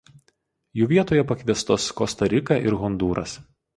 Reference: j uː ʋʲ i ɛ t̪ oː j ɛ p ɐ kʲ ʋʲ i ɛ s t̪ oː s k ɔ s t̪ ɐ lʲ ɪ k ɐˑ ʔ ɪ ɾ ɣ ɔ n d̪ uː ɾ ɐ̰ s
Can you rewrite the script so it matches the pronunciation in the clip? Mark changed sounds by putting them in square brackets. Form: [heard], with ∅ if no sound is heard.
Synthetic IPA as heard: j uː ʋʲ i ɛ t̪ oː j ɛ p ɐ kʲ ʋʲ i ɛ s t̪ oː s k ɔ s t̪ ɐ [ɾʲ] ɪ k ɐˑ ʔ ɪ ɾ ɣ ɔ n d̪ uː ɾ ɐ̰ s